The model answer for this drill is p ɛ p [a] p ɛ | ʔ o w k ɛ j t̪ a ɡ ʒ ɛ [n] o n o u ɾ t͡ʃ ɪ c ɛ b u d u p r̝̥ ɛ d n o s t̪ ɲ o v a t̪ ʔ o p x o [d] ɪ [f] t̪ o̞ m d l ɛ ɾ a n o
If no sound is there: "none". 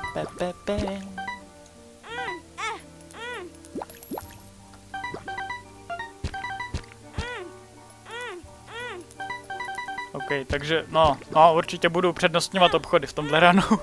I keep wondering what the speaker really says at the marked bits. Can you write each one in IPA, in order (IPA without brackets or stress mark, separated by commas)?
ɛ, n, d, f